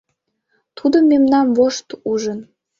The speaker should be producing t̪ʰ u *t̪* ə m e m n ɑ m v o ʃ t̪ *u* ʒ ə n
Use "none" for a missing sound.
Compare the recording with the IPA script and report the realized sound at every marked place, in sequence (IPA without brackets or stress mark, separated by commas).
d̪, u